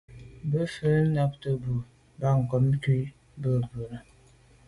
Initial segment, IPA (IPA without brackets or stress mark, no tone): b